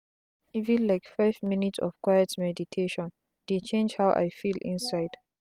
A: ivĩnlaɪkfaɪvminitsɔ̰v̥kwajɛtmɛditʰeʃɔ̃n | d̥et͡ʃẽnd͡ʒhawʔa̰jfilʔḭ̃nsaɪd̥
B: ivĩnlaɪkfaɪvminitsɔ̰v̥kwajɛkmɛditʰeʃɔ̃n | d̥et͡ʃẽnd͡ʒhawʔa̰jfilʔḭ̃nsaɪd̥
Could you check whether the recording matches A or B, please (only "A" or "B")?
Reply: A